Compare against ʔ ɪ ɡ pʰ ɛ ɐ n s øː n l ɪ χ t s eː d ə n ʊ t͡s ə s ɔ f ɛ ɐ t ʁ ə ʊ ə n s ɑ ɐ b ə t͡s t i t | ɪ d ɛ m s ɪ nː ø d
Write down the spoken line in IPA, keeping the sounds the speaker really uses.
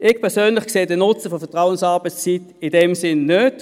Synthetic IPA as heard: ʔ ɪ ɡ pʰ ɛ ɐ s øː n l ɪ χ k s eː d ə n ʊ t͡s ə f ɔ f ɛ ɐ t ʁ a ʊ ə n s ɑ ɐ b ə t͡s t͡s i t | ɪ d ɛ m s ɪ nː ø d